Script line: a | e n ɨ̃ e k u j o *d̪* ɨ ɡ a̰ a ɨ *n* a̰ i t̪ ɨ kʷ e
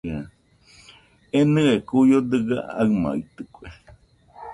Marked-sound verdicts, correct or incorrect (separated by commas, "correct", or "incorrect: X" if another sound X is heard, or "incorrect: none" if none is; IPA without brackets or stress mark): correct, incorrect: m